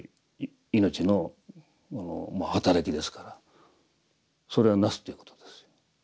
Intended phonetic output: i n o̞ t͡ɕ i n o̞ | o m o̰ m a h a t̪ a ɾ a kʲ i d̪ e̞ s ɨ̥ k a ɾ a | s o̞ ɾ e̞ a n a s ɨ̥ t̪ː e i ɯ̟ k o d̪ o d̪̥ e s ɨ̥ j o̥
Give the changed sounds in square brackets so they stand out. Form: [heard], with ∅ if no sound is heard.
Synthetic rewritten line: i n o̞ t͡ɕ i n o̞ | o [n] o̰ m a h a t̪ a ɾ a kʲ i d̪ e̞ s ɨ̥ k a ɾ a | s o̞ ɾ e̞ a n a s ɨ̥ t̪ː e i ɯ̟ k o [t̪] o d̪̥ e s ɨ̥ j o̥

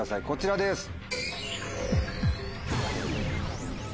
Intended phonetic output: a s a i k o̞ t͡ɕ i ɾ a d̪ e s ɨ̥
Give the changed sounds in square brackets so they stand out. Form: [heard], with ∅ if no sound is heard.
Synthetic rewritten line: a s a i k o̞ t͡ɕ i ɾ a d̪ e s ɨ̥

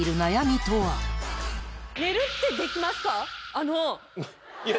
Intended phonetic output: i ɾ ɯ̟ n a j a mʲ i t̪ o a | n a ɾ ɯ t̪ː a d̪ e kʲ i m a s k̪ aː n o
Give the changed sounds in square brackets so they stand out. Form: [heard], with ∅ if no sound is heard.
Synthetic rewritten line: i ɾ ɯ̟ n a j a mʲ i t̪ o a | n [e] ɾ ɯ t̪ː [e] d̪ e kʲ i m a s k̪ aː n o

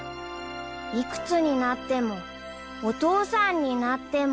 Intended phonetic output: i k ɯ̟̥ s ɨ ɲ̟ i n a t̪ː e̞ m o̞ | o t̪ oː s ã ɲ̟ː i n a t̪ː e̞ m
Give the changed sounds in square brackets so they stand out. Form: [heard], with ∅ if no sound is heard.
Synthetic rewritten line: i k ɯ̟̥ [t͡s] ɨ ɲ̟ i n a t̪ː e̞ m o̞ | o t̪ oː s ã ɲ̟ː i n a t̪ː e̞ m

